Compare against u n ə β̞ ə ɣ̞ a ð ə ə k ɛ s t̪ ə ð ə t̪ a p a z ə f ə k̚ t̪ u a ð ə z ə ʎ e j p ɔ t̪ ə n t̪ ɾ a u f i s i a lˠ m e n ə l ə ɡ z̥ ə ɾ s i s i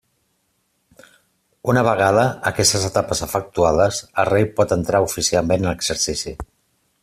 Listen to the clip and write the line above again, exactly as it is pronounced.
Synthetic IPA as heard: u n ə β̞ ə ɣ̞ a ð ə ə k ɛ s t̪ ə z ə t̪ a p ə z ə f ə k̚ t̪ u a ð ə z ə r e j p ɔ t̪ ə n t̪ ɾ a u f i s i a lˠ m e n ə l ə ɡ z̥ ə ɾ s i s i

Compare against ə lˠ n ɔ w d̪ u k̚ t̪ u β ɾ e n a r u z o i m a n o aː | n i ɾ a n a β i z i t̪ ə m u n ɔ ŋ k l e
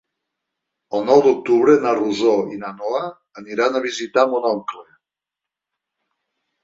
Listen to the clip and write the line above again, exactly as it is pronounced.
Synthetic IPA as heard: ə lˠ n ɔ w d̪ u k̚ t̪ u β ɾ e n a r u z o i n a n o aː | n i ɾ a n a β i z i t̪ a m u n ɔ ŋ k l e

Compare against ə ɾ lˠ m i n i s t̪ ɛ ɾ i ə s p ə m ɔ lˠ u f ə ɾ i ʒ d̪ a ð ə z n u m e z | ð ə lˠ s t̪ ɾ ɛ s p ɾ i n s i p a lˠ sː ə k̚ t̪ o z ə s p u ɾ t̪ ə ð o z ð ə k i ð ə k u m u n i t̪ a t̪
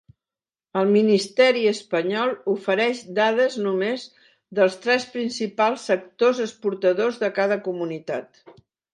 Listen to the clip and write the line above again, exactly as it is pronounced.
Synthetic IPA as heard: ə lˠ m i n i s t̪ ɛ ɾ i ə s p ə ɲ ɔ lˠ u f ə ɾ ɛ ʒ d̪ a ð ə z n u m e z | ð ə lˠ s t̪ ɾ ɛ s p ɾ i n s i p a lˠ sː ə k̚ t̪ o z ə s p u ɾ t̪ ə ð o z ð ə k a ð ə k u m u n i t̪ a t̪

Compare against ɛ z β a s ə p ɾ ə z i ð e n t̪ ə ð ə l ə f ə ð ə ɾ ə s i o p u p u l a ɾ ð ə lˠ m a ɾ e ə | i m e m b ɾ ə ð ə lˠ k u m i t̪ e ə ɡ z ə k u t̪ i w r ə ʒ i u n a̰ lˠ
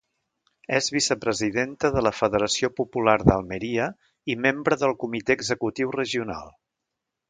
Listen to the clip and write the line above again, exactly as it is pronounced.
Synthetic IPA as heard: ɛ z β i s ə p ɾ ə z i ð e n t̪ ə ð ə l ə f ə ð ə ɾ ə s i o p u p u l a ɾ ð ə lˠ m ə ɾ i ə | i m e m b ɾ ə ð ə lˠ k u m i t̪ e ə ɡ z ə k u t̪ i w r ə ʒ i u n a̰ lˠ

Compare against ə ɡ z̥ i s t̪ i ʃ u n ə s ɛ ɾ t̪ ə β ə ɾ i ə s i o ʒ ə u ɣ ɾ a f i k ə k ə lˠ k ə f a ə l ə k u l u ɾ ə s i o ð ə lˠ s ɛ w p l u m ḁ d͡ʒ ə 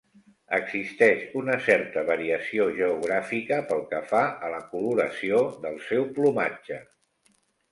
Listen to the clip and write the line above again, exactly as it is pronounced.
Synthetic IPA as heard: ə ɡ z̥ i s t̪ ɛ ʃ u n ə s ɛ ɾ t̪ ə β ə ɾ i ə s i o ʒ ə u ɣ ɾ a f i k ə p ə lˠ k ə f a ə l ə k u l u ɾ ə s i o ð ə lˠ s ɛ w p l u m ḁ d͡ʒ ə

